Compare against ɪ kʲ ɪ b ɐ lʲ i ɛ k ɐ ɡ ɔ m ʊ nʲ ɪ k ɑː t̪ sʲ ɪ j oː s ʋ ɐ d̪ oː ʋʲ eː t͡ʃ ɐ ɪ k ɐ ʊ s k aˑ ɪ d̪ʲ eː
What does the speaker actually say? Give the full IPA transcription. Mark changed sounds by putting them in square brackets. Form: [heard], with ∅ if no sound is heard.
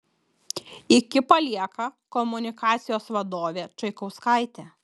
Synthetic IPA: ɪ kʲ ɪ [p] ɐ lʲ i ɛ k ɐ [k] ɔ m ʊ nʲ ɪ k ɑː t̪ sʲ ɪ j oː s ʋ ɐ d̪ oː ʋʲ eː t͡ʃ ɐ ɪ k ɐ ʊ s k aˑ ɪ [t̪ʲ] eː